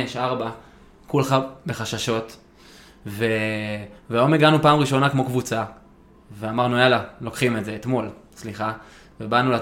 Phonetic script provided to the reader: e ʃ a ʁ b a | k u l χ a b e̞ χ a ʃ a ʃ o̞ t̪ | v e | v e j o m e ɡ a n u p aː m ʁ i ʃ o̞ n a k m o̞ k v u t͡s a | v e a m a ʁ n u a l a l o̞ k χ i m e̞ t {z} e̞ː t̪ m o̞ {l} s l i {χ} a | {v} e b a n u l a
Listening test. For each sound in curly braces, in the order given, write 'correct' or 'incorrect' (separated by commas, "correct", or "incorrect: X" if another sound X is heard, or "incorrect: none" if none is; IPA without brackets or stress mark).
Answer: correct, correct, correct, correct